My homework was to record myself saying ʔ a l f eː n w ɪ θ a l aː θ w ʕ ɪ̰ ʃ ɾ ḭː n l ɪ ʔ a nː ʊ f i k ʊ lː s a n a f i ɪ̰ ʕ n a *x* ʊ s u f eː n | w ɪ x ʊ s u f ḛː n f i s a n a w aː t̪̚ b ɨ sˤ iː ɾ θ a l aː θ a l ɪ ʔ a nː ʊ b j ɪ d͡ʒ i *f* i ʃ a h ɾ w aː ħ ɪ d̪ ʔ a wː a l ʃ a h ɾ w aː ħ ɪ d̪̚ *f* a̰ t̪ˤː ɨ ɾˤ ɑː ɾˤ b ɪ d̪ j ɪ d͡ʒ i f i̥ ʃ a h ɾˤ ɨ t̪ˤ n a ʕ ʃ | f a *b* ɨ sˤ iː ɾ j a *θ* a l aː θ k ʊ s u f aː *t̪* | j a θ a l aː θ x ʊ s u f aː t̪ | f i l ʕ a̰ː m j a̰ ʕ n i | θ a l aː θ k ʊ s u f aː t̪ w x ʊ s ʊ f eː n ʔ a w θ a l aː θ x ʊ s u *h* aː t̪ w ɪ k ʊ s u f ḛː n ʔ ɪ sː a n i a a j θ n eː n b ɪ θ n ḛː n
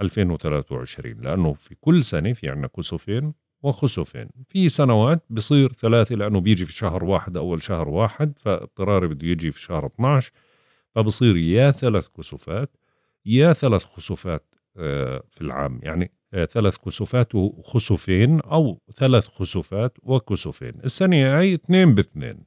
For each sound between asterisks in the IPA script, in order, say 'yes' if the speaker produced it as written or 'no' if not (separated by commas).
no, yes, yes, yes, yes, yes, no